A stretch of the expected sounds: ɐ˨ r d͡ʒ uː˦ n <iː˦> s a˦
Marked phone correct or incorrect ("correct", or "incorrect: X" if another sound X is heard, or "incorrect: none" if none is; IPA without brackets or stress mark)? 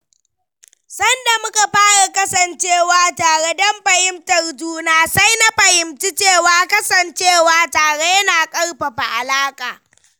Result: incorrect: aː˦